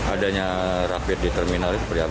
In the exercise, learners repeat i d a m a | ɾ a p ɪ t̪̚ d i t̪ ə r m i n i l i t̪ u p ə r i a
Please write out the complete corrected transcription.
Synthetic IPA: a d a ɲ a | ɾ a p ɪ t̪̚ d i t̪ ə r m i n a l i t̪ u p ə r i a